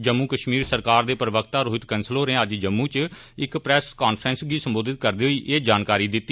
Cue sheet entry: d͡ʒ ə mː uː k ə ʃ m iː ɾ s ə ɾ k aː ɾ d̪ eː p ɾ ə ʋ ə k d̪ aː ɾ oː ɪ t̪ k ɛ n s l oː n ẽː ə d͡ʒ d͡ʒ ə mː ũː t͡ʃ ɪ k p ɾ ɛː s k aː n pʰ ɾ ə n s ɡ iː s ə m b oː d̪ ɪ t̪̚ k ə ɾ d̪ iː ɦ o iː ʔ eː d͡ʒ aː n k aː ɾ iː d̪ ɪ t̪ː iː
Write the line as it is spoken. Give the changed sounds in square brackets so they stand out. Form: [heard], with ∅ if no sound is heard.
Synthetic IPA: d͡ʒ ə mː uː k ə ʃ m iː ɾ s ə ɾ k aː ɾ d̪ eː p ɾ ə ʋ ə k [t̪] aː ɾ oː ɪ t̪ k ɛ n s l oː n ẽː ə d͡ʒ d͡ʒ ə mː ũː t͡ʃ ɪ k p ɾ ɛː s k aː n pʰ ɾ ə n s ɡ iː s ə m b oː d̪ ɪ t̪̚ k ə ɾ d̪ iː ɦ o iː ʔ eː d͡ʒ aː n k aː ɾ iː d̪ ɪ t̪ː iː